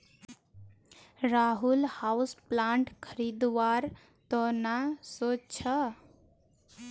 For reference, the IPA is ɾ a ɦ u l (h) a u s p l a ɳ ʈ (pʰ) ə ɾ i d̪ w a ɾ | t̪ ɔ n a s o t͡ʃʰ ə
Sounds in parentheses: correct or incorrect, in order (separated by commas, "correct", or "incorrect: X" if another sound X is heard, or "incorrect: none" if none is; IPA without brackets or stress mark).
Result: correct, incorrect: kʰ